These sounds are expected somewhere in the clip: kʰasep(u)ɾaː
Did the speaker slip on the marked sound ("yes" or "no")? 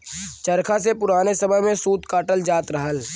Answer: yes